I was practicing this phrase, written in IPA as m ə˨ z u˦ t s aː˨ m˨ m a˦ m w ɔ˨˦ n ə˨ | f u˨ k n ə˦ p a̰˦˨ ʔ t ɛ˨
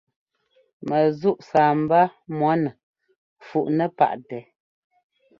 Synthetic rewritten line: m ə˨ z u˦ ʔ s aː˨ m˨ b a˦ m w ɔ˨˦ n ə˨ | f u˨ ʔ n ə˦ p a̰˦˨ ʔ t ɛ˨